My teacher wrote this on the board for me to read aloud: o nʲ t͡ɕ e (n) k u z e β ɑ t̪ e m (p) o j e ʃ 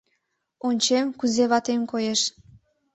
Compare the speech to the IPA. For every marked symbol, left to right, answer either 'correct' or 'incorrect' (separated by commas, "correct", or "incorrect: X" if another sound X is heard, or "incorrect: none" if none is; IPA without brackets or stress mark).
incorrect: m, incorrect: k